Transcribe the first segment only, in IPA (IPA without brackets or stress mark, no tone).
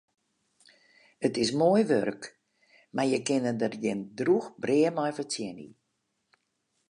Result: ə